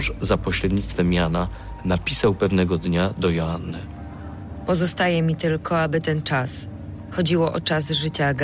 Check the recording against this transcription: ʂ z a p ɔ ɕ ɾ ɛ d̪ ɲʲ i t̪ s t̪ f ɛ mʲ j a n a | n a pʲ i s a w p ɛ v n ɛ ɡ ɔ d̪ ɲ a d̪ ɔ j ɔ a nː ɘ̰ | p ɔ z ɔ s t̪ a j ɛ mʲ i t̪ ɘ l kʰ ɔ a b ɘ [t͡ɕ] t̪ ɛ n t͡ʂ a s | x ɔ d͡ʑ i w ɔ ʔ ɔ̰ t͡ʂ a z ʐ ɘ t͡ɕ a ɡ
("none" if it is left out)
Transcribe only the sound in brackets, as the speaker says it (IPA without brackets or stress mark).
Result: none